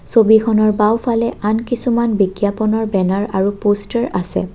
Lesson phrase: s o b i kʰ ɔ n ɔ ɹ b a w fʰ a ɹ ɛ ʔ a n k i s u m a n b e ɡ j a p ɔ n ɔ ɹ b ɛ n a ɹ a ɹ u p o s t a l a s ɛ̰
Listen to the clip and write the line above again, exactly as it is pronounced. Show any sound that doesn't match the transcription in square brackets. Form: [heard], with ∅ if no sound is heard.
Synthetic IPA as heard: s o b i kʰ ɔ n ɔ ɹ b a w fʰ a [l] ɛ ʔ a n k i s u m a n b [i] ɡ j a p ɔ n ɔ ɹ b ɛ n a ɹ a ɹ u p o s t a [ɹ] a s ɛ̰

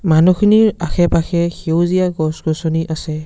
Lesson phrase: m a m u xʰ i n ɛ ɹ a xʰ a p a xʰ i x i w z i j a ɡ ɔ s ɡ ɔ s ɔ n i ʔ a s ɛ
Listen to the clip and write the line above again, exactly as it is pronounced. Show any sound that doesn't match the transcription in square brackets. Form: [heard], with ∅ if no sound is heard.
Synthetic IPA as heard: m a [n] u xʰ i n [i] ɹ a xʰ [ɛ] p a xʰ [ɛ] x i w z i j a ɡ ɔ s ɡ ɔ s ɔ n i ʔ a s ɛ

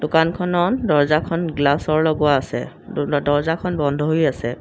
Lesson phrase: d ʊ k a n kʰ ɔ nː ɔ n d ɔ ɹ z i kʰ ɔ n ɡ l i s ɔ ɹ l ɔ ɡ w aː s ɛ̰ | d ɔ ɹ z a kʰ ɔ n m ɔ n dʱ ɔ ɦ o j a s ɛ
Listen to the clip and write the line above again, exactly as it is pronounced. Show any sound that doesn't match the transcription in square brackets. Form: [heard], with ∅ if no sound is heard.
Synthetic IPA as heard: d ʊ k a n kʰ ɔ [n] ɔ n d ɔ ɹ z [a] kʰ ɔ n ɡ l [a] s ɔ ɹ l ɔ ɡ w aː s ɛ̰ | d ɔ ɹ z a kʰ ɔ n [b] ɔ n dʱ ɔ ɦ o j a s ɛ

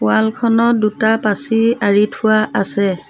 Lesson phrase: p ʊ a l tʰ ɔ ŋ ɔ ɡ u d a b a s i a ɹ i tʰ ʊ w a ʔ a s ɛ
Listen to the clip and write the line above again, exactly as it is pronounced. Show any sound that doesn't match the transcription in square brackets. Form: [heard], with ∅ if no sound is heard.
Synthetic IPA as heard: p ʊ a l [kʰ] ɔ [n] ɔ [d] u [t] a [p] a s i a ɹ i tʰ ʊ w a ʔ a s ɛ

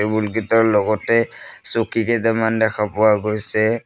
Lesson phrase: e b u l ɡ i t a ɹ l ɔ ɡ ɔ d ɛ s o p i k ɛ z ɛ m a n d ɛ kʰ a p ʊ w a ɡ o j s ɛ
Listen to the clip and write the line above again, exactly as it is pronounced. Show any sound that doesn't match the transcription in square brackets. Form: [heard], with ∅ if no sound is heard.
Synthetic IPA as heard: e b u l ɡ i t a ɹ l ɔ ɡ ɔ [t] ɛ s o [k] i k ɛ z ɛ m a n d ɛ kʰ a p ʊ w a ɡ o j s ɛ

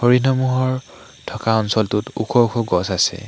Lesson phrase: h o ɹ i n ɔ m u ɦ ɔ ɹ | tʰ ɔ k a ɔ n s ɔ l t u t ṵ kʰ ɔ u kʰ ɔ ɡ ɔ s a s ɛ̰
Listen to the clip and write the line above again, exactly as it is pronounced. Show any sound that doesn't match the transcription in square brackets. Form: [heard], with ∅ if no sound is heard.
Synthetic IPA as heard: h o ɹ i n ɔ m u ɦ ɔ ɹ | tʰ ɔ k a ɔ n s ɔ l t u t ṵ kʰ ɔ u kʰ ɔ ɡ ɔ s a s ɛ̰

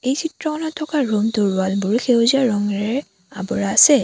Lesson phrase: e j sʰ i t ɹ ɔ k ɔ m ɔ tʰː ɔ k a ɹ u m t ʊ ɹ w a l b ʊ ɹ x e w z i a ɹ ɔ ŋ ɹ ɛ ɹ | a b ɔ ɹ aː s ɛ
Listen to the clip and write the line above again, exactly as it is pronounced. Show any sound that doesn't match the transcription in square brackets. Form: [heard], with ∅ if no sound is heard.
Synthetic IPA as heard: e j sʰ i t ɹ ɔ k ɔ [n] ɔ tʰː ɔ k a ɹ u m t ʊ ɹ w a l b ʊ ɹ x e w z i a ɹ ɔ ŋ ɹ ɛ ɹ | a b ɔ ɹ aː s ɛ

